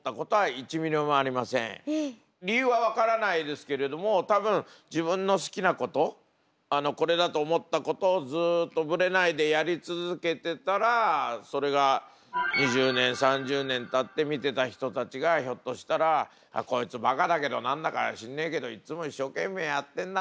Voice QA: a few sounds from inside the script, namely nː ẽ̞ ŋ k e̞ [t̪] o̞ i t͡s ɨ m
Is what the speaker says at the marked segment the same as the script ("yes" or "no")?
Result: no